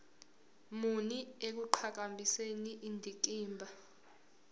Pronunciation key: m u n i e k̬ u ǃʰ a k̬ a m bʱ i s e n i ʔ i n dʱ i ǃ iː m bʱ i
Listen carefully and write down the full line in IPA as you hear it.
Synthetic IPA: m u n i e k̬ u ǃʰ a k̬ a m bʱ i s e n i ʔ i n dʱ i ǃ iː m bʱ a